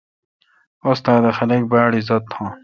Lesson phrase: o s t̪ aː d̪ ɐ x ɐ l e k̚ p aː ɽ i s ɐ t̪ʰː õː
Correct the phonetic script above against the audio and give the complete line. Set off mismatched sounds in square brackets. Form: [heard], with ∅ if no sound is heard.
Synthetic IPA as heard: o s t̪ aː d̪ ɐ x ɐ l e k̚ [b] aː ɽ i [z] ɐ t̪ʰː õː